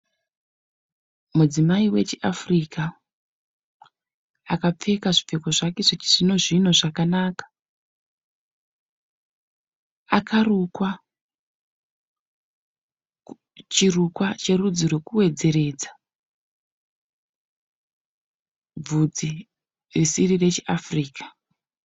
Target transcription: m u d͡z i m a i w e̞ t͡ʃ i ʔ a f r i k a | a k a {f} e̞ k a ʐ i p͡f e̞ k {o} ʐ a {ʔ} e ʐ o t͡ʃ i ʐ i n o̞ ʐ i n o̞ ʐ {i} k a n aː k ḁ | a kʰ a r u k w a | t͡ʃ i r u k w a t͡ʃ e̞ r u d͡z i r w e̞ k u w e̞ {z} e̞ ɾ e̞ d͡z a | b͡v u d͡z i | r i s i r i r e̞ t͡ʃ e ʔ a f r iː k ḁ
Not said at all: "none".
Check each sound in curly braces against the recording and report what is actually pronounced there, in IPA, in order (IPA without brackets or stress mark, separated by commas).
p͡f, o, k, a, d͡z